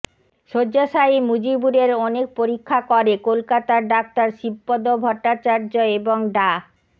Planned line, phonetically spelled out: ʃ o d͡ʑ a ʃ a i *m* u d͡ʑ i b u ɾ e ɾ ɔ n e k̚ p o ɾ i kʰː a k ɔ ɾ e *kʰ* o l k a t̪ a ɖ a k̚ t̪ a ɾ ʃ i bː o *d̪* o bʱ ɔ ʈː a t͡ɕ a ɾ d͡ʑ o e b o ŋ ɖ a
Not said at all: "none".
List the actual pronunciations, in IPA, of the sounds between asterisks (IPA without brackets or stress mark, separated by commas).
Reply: m, k, d̪